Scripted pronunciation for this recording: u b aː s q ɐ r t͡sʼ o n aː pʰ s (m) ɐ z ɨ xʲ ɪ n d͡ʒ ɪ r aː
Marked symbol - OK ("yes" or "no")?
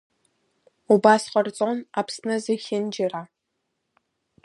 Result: no